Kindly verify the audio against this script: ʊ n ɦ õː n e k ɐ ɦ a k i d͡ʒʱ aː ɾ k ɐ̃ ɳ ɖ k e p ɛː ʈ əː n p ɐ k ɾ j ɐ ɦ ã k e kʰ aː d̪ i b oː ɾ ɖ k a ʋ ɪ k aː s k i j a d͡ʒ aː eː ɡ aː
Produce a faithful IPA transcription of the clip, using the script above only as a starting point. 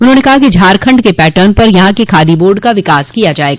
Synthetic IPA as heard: ʊ n ɦ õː n e k ɐ ɦ a k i d͡ʒʱ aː ɾ kʰ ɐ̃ ɳ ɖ k e p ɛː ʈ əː n p ɐ ɾ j ɐ ɦ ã k e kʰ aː d̪ i b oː ɾ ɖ k a ʋ ɪ k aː s k i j a d͡ʒ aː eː ɡ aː